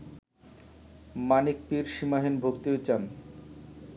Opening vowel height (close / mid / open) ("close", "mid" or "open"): open